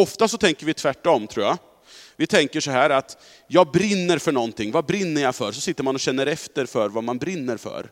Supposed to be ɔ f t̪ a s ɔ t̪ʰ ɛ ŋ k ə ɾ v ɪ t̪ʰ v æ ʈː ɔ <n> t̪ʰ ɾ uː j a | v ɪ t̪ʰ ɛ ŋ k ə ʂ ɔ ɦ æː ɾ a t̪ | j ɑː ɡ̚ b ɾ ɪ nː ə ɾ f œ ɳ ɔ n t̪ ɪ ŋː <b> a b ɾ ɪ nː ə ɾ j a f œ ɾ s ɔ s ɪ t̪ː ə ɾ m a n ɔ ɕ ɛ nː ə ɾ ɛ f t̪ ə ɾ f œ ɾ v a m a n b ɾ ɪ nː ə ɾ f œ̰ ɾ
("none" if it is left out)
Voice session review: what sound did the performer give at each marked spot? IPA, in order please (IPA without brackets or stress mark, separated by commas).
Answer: m, v